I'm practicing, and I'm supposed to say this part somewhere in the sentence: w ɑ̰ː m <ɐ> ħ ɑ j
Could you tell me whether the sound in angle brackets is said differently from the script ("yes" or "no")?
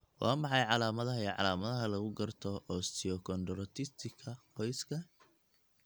yes